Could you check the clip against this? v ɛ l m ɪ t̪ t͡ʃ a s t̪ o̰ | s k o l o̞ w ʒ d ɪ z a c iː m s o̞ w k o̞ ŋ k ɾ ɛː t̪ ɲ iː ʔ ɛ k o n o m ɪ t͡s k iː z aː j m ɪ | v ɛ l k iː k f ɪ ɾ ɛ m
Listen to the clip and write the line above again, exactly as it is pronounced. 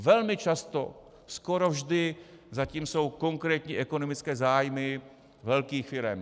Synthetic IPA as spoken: v ɛ l m ɪ t͡ʃ a s t̪ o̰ | s k o ɾ o̞ v ʒ d ɪ z a c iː m s o̞ w k o̞ ŋ k ɾ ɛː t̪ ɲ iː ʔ ɛ k o n o m ɪ t͡s k ɛː z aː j m ɪ | v ɛ l k iː x f ɪ ɾ ɛ m